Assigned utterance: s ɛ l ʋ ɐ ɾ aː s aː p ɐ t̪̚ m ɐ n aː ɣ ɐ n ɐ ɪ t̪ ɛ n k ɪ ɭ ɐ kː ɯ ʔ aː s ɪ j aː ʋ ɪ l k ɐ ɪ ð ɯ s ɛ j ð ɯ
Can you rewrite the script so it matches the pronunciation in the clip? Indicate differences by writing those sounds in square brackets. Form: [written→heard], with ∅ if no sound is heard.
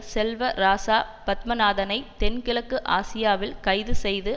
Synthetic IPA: s ɛ l ʋ ɐ ɾ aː s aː p ɐ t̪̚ m ɐ n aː [ɣ→ð] ɐ n ɐ ɪ t̪ ɛ n k ɪ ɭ ɐ kː ɯ ʔ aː s ɪ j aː ʋ ɪ l k ɐ ɪ ð ɯ s ɛ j ð ɯ